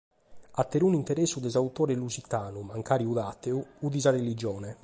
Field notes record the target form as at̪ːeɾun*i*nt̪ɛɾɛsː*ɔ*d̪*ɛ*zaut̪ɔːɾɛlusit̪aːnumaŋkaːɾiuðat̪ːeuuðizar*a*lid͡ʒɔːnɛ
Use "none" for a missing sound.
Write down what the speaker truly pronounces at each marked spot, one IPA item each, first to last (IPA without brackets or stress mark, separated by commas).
i, u, ɛ, e